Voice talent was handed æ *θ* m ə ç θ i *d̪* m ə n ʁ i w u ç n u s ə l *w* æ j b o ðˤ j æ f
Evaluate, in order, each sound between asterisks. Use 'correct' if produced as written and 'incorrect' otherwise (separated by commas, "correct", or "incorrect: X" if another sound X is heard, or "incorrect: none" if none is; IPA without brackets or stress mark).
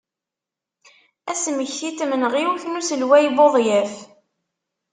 incorrect: s, incorrect: t̪, correct